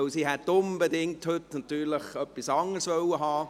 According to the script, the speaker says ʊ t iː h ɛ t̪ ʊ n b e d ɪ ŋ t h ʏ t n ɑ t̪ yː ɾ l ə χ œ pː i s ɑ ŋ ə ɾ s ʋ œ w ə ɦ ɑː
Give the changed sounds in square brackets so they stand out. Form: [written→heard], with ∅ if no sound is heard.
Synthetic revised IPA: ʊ [t→s] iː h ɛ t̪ ʊ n b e d ɪ ŋ t h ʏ t n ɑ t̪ yː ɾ l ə χ œ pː i s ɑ ŋ ə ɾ s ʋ œ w ə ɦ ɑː